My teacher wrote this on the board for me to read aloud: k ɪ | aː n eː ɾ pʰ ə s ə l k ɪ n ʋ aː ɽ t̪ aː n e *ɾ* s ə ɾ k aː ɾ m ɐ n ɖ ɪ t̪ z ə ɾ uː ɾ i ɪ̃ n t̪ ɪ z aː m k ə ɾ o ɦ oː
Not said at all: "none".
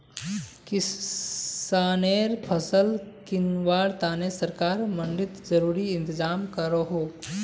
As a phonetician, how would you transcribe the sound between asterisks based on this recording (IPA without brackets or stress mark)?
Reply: none